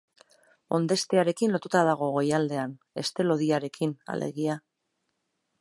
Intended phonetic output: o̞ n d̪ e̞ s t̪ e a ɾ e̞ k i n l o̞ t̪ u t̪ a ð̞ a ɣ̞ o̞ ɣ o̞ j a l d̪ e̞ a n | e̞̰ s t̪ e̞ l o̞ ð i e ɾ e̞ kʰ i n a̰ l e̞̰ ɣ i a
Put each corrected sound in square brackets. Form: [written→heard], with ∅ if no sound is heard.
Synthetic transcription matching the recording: o̞ n d̪ e̞ s t̪ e a ɾ e̞ k i n l o̞ t̪ u t̪ a ð̞ a ɣ̞ o̞ ɣ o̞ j a l d̪ e̞ a n | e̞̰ s t̪ e̞ l o̞ ð i [e→a] ɾ e̞ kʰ i n a̰ l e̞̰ ɣ i a

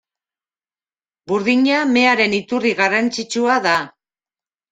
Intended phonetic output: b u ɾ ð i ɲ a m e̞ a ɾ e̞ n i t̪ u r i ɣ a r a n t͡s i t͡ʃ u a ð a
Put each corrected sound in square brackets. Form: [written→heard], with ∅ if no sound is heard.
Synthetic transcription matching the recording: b u ɾ ð i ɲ a m e̞ a ɾ e̞ n i t̪ u r i ɣ a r a n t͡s i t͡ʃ u a ð a

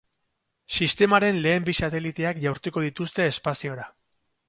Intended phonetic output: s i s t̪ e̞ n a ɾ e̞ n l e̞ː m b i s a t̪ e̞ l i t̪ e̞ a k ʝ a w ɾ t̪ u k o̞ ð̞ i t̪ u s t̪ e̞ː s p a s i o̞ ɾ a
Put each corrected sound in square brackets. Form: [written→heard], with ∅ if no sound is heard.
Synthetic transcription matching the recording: s i s t̪ e̞ [n→m] a ɾ e̞ n l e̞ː m b i s a t̪ e̞ l i t̪ e̞ a k ʝ a w ɾ t̪ u k o̞ ð̞ i t̪ u s t̪ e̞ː s p a s i o̞ ɾ a

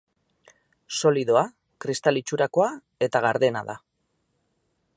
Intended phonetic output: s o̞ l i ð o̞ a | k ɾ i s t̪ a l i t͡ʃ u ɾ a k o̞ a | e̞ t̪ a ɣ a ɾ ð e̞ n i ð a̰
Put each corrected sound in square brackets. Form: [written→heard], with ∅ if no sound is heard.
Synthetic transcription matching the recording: s o̞ l i ð o̞ a | k ɾ i s t̪ a l i t͡ʃ u ɾ a k o̞ a | e̞ t̪ a ɣ a ɾ ð e̞ n [i→a] ð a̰

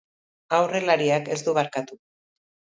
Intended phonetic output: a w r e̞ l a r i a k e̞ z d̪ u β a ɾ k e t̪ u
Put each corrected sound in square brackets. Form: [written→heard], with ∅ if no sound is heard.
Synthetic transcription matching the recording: a w r e̞ l a [r→ɾ] i a k e̞ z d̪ u β a ɾ k [e→a] t̪ u

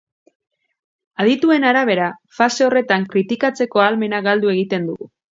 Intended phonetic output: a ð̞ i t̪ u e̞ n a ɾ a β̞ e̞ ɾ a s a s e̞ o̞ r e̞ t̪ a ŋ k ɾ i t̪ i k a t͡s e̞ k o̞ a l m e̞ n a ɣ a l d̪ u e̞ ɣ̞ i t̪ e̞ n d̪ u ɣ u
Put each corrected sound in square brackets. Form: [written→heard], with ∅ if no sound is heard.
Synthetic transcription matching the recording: a ð̞ i t̪ u e̞ n a ɾ a β̞ e̞ ɾ a [s→f] a s e̞ o̞ r e̞ t̪ a ŋ k ɾ i t̪ i k a t͡s e̞ k o̞ a l m e̞ n a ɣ a l d̪ u e̞ ɣ̞ i t̪ e̞ n d̪ u ɣ u

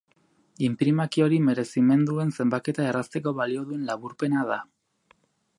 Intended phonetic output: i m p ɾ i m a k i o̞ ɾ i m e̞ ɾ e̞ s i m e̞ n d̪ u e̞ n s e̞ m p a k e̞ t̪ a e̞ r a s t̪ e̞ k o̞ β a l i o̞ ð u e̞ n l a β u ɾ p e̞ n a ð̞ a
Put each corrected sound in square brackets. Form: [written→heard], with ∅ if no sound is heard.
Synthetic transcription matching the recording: i m p ɾ i m a k i o̞ ɾ i m e̞ ɾ e̞ s i m e̞ n d̪ u e̞ n s e̞ m [p→b] a k e̞ t̪ a e̞ r a s t̪ e̞ k o̞ β a l i o̞ ð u e̞ n l a β u ɾ p e̞ n a ð̞ a

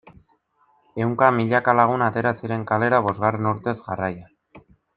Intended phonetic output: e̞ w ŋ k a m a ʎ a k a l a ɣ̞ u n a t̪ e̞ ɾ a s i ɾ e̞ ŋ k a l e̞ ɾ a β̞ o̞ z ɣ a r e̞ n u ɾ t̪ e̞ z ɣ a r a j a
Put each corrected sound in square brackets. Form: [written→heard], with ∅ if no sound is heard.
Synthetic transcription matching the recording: e̞ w ŋ k a m [a→i] ʎ a k a l a ɣ̞ u n a t̪ e̞ ɾ a s i ɾ e̞ ŋ k a l e̞ ɾ a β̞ o̞ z ɣ a r e̞ n u ɾ t̪ e̞ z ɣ a r a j a

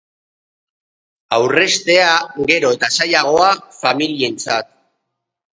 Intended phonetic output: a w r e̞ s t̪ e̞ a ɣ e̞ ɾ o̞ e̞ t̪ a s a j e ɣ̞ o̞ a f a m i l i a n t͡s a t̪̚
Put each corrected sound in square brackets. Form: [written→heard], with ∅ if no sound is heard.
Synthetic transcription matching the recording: a w r e̞ s t̪ e̞ a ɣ e̞ ɾ o̞ e̞ t̪ a s a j [e→a] ɣ̞ o̞ a f a m i l i [a→e] n t͡s a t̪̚

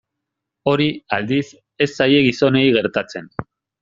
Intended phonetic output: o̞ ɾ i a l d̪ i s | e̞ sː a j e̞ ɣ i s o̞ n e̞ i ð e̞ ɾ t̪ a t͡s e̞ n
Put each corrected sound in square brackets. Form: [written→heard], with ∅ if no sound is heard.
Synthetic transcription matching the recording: o̞ ɾ i a l d̪ i s | e̞ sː a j e̞ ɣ i s o̞ n e̞ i [ð→ɣ] e̞ ɾ t̪ a t͡s e̞ n

